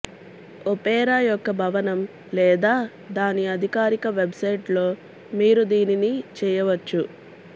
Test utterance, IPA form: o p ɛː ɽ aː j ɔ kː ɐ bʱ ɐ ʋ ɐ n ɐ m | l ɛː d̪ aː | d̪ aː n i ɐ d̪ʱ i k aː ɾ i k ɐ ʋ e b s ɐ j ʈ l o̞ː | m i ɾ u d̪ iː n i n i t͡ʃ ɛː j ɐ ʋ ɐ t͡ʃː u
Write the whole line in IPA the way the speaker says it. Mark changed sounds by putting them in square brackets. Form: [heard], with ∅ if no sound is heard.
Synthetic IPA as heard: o p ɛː [ɾ] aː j ɔ kː ɐ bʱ ɐ ʋ ɐ n ɐ m | l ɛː d̪ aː | d̪ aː n i ɐ d̪ʱ i k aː ɾ i k ɐ ʋ e b s ɐ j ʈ l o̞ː | m [iː] ɾ u d̪ iː n i n i t͡ʃ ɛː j ɐ ʋ ɐ t͡ʃː u